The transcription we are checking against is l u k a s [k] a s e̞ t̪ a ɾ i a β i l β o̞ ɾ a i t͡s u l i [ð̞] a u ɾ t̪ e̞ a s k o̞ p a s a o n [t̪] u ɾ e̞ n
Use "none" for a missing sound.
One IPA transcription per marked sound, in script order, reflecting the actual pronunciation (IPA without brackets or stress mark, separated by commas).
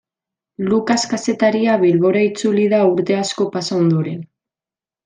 k, ð̞, d̪